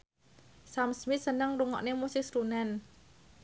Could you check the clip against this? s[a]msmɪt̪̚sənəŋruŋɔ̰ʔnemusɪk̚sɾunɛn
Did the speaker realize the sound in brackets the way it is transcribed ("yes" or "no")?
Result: yes